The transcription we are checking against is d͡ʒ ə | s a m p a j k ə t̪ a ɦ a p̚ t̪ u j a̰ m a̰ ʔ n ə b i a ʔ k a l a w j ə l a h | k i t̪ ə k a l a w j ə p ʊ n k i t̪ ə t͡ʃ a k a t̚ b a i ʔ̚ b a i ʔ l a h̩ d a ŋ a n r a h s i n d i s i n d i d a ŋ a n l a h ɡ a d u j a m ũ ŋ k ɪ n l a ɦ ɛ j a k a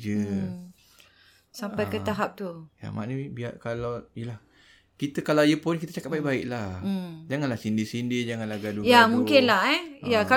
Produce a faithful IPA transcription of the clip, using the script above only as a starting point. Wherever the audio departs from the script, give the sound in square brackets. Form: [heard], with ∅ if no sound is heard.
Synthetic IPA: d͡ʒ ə | s a m p a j k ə t̪ a ɦ a p̚ t̪ u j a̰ m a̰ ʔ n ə b i a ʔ k a l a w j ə l a h | k i t̪ ə k a l a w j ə p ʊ n k i t̪ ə t͡ʃ a k a t̚ b a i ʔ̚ b a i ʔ l a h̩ [d͡ʒ] a ŋ a n [l] a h s i n d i s i n d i [d͡ʒ] a ŋ a n l a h ɡ a d u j a m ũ ŋ k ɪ n l a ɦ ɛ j a k a